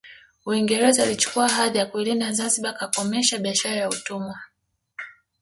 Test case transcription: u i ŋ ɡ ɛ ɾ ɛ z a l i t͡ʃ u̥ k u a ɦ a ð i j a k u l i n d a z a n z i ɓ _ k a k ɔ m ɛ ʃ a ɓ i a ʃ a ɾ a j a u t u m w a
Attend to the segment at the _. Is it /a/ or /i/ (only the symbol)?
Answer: a